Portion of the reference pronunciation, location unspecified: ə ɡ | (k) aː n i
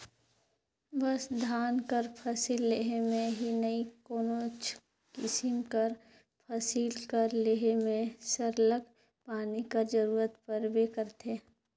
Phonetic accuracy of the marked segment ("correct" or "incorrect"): incorrect